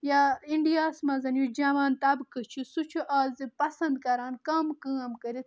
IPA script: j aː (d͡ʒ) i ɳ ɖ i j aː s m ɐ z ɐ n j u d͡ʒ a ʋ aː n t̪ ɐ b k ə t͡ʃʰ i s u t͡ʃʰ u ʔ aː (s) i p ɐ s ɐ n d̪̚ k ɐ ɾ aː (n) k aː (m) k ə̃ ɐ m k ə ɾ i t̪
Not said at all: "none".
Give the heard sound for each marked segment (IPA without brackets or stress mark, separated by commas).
none, z, n, m